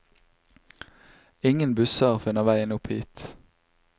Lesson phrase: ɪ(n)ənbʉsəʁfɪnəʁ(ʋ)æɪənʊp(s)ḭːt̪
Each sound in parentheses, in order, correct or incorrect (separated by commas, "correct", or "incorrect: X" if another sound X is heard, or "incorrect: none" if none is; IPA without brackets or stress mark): incorrect: ŋ, correct, incorrect: h